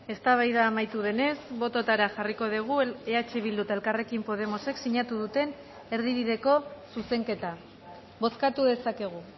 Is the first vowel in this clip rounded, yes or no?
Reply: no